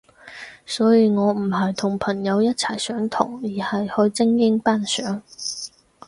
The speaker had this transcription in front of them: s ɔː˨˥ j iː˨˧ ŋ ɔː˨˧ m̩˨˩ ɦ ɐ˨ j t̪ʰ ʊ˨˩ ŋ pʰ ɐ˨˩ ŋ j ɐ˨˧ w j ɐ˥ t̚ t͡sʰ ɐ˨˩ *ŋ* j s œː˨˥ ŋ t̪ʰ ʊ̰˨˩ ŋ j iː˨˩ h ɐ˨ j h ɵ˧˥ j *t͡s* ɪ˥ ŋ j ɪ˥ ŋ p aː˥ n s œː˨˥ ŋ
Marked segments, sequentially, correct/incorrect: incorrect: none, correct

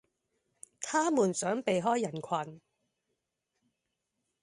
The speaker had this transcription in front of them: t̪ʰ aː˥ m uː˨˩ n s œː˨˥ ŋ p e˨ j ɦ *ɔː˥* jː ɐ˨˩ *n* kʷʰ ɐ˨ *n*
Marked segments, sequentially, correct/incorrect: correct, correct, correct

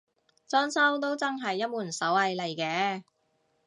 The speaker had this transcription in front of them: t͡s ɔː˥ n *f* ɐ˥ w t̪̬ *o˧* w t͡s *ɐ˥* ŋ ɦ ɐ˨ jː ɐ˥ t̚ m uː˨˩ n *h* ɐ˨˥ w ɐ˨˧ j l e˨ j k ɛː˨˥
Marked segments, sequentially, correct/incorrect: incorrect: s, incorrect: o˥, correct, incorrect: s

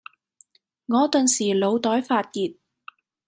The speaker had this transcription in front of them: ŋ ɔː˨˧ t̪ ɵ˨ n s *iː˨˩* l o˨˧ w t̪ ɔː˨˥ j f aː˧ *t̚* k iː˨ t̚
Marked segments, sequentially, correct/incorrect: correct, correct

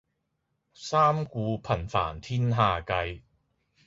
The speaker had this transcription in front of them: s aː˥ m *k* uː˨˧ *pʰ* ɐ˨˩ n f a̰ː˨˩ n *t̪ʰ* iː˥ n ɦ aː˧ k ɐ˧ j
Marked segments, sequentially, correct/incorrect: correct, correct, correct

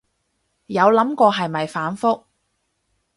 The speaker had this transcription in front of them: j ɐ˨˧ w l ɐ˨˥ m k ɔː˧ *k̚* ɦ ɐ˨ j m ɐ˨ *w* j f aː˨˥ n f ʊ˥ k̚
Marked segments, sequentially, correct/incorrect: incorrect: none, incorrect: none

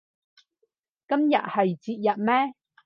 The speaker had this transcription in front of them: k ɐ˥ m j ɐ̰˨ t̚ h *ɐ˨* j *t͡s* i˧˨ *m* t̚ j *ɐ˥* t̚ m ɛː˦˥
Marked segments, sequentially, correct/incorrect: correct, correct, incorrect: none, incorrect: ɐ˨˩

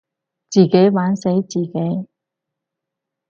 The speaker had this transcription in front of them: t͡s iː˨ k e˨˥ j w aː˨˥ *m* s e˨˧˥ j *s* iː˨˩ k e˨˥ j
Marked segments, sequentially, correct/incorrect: incorrect: n, incorrect: t͡s

